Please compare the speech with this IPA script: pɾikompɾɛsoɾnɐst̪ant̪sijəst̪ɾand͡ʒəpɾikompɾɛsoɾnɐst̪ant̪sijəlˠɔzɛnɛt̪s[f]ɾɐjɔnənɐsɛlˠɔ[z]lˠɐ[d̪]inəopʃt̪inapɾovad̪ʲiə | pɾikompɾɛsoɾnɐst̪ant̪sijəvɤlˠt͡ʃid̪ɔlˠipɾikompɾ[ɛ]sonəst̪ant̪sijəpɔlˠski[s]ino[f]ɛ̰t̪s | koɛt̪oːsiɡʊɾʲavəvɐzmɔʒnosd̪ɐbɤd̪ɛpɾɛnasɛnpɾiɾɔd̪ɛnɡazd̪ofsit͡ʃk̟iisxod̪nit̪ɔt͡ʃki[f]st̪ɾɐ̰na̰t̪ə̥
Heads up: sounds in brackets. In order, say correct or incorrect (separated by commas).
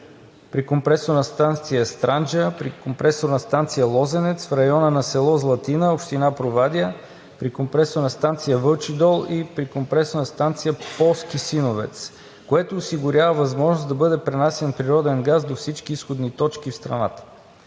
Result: correct, correct, incorrect, correct, correct, incorrect, correct